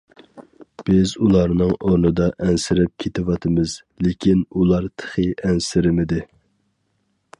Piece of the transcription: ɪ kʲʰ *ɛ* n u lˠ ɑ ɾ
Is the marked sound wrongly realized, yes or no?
yes